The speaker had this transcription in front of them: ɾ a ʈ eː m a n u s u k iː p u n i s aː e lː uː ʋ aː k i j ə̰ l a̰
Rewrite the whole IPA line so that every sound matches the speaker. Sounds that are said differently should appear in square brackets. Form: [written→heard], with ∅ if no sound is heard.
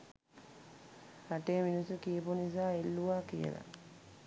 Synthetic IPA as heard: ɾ a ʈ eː m [a→i] n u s u k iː p u n i s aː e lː [uː→u] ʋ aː k i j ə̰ l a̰